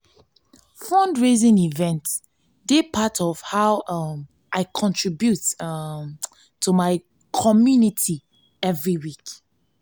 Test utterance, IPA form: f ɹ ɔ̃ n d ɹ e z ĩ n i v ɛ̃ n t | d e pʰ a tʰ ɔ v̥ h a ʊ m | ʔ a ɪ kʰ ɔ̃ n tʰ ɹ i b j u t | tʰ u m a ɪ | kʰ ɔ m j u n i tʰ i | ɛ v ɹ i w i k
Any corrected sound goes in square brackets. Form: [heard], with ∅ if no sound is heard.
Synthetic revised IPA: f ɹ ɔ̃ n d ɹ e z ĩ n i v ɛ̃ n t | d e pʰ a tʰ ɔ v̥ h a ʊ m | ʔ a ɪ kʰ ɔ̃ n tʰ ɹ i b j u t | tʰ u m a ɪ | kʰ ɔ m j u n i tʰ i | ɛ v ɹ i w i k

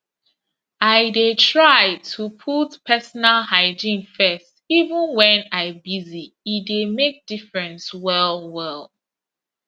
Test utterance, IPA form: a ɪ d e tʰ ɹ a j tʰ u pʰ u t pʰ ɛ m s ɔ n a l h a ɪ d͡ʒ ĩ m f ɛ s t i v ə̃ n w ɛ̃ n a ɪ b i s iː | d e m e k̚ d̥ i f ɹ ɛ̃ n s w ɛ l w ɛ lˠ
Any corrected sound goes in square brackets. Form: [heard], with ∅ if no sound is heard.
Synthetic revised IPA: a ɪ d e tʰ ɹ a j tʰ u pʰ u t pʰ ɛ [∅] s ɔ n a l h a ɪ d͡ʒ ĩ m f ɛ s t i v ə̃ n w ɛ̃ n a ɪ b i [z] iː | d e m e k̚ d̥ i f ɹ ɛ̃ n s w ɛ l w ɛ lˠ

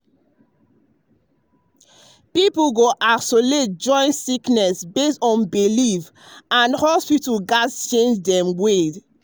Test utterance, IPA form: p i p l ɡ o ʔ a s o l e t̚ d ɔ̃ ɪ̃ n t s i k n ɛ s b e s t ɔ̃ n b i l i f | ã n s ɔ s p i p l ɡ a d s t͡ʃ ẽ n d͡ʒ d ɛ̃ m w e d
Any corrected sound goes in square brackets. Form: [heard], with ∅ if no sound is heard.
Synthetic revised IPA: p i p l ɡ o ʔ a s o l e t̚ [d͡ʒ] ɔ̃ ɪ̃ n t s i k n ɛ s b e s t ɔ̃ n b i l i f | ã n [h] ɔ s p i [t] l ɡ a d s t͡ʃ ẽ n d͡ʒ d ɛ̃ m w e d

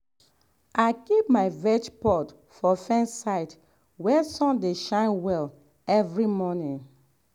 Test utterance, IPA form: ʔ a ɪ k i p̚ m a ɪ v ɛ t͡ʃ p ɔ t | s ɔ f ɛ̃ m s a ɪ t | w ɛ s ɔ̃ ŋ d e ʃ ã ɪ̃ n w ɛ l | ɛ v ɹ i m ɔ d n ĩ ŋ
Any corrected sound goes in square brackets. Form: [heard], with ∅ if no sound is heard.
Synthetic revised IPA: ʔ a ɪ k i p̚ m a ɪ v ɛ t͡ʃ p ɔ t | [f] ɔ f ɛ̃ [n] s a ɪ t | w ɛ s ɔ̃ [n] d e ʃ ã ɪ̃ n w ɛ l | ɛ v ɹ i m ɔ [∅] n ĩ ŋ

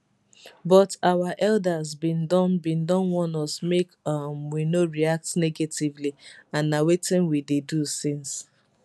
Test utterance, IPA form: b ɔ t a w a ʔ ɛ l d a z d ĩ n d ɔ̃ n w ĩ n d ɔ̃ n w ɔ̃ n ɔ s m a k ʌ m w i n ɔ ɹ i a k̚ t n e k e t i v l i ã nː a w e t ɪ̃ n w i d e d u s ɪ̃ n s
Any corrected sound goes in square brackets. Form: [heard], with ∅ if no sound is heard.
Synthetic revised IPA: b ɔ t a w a ʔ ɛ l d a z [b] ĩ n d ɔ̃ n [b] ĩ n d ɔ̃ n w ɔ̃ n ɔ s m [e] k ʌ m w i n [o] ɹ i a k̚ t n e [ɡ] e t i v l i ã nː a w e t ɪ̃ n w i d e d u s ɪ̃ n s

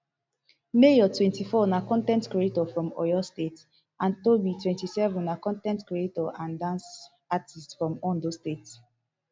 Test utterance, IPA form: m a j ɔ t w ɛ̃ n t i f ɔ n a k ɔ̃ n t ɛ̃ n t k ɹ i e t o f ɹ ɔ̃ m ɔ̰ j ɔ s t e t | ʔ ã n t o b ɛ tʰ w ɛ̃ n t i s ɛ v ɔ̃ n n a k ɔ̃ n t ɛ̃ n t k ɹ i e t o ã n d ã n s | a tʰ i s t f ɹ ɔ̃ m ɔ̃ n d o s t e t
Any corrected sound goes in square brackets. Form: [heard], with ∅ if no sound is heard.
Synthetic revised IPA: m [e] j ɔ t w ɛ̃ n t i f ɔ n a k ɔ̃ n t ɛ̃ n t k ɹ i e t [ɔ] f ɹ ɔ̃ m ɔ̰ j ɔ s t e t | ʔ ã n t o b [i] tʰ w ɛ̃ n t i s ɛ v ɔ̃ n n a k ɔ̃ n t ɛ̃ n t k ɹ i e t [ɔ] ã n d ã n s | a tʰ i s t f ɹ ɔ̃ m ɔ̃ n d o s t e t

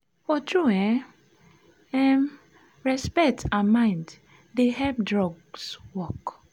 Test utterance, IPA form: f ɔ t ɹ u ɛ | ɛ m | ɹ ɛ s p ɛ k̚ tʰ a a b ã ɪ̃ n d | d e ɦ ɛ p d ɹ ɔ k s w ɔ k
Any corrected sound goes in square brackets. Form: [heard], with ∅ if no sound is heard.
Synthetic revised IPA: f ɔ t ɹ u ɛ | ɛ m | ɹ ɛ s p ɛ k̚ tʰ a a [m] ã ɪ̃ n d | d e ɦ ɛ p d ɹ ɔ [ɡ] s w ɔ k

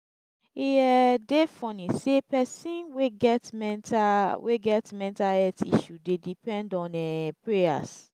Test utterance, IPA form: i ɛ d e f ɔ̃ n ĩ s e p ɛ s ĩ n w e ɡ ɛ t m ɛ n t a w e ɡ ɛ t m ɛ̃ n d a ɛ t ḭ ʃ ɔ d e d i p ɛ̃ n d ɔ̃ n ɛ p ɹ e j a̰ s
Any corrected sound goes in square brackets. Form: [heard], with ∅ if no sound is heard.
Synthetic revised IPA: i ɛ d e f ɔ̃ n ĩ s e p ɛ s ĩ n w e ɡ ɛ t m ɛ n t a w e ɡ ɛ t m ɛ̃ n [t] a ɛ t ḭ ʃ [u] d e d i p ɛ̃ n d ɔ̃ n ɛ p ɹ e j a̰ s

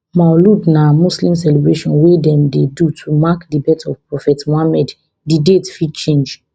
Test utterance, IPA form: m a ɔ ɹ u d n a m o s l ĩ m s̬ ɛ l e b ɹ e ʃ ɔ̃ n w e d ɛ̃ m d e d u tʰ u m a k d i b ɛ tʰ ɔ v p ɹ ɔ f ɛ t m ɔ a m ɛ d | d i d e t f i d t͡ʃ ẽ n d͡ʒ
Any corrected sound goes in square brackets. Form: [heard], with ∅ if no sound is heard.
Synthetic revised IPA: m a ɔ [l] u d n a m [u] s l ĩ m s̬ ɛ l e b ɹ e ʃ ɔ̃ n w e d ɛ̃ m d e d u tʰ u m a k d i b ɛ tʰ ɔ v p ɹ ɔ f ɛ t m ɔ a m ɛ d | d i d e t f i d t͡ʃ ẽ n d͡ʒ

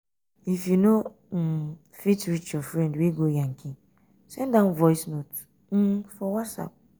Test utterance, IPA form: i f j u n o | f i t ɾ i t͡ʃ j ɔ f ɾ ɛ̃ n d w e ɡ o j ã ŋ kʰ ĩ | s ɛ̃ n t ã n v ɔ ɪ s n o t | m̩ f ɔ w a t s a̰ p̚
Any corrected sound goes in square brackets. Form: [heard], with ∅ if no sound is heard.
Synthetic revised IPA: i f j u n o | f i t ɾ i t͡ʃ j ɔ f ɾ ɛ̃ n d w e ɡ o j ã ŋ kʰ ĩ | s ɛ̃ n [d] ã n v ɔ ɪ s n o t | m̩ f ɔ w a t s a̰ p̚

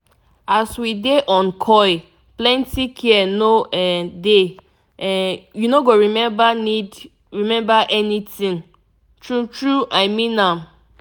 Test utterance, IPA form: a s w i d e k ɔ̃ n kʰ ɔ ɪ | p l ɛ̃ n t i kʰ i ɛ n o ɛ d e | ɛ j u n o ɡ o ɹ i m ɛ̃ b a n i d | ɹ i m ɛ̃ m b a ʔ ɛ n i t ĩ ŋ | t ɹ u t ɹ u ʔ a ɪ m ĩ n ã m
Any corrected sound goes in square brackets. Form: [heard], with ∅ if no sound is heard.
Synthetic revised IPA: a s w i d e [ʔ] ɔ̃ n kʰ ɔ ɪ | p l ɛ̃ n t i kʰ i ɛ n o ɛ d e | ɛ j u n o ɡ o ɹ i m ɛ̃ b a n i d | ɹ i m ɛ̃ m b a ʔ ɛ n i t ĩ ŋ | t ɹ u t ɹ u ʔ a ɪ m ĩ n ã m

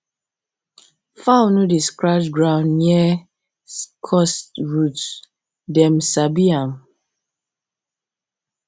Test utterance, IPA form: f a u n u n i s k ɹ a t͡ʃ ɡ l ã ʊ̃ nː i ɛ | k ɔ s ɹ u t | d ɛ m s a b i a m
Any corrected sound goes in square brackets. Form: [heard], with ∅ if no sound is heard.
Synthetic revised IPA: f a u n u [d] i s k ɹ a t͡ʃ ɡ [ɹ] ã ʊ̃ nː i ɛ | [kʰ] ɔ s ɹ u t | d ɛ m s a b i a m

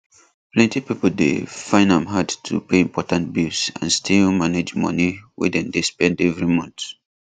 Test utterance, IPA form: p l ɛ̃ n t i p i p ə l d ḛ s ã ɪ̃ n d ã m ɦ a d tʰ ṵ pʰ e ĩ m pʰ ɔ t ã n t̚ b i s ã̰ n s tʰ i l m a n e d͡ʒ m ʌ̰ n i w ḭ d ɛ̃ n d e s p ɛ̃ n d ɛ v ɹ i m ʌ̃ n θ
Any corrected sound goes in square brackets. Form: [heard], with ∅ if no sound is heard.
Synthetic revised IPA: p l ɛ̃ n t i p i p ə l d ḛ [f] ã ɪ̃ n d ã m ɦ a d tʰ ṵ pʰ e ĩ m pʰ ɔ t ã n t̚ b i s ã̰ n s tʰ i l m a n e d͡ʒ m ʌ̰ n i w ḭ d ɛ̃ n d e s p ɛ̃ n d ɛ v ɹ i m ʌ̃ n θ

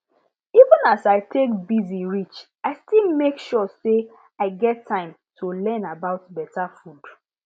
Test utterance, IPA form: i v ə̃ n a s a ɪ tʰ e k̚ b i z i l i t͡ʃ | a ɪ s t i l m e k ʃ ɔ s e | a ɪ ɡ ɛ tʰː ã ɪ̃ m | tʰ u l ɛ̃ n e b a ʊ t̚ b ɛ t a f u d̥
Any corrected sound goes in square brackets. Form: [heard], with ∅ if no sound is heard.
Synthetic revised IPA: i v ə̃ n a s a ɪ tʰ e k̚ b i z i [ɹ] i t͡ʃ | a ɪ s t i l m e k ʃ ɔ s e | a ɪ ɡ ɛ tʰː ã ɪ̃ m | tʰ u l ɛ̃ n [a] b a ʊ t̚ b ɛ t a f u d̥

